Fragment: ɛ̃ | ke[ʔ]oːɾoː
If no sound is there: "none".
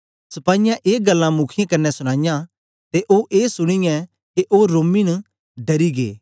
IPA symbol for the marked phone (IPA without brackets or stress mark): ʔ